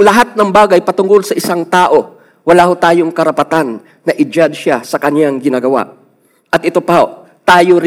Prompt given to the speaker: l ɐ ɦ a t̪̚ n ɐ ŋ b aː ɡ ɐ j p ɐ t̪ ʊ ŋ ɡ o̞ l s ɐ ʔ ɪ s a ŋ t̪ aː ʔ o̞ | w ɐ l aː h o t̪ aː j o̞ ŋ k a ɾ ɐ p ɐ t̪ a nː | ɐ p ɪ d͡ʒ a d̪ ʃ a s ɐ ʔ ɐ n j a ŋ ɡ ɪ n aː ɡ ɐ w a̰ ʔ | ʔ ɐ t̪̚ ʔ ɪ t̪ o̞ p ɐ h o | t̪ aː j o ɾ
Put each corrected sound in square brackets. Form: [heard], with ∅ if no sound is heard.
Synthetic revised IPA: l ɐ ɦ a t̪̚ n ɐ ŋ b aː ɡ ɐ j p ɐ t̪ ʊ ŋ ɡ o̞ l s ɐ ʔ ɪ s a ŋ t̪ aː ʔ o̞ | w ɐ l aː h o t̪ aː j o̞ ŋ k [ɐ] ɾ ɐ p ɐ t̪ a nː | ɐ [ʔ] ɪ d͡ʒ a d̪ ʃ a s ɐ [k] ɐ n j a ŋ ɡ ɪ n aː ɡ ɐ w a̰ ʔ | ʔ ɐ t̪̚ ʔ ɪ t̪ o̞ p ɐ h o | t̪ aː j o ɾ